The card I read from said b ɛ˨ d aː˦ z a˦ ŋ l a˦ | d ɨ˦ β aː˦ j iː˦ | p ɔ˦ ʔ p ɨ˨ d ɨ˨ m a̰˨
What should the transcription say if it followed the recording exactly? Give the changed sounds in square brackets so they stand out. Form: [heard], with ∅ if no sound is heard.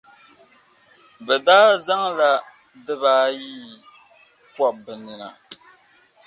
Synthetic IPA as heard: b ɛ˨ d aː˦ z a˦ ŋ l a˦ | d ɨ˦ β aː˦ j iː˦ | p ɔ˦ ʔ [b] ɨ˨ [n] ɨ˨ [n] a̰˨